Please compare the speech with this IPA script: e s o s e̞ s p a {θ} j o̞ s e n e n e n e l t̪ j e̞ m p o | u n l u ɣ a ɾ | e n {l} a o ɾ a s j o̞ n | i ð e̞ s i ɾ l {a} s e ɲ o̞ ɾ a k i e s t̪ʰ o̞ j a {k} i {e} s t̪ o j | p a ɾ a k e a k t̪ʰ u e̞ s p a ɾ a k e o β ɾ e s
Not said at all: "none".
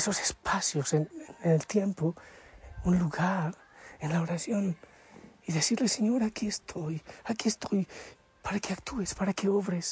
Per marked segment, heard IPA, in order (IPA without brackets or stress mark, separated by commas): s, l, e, k, e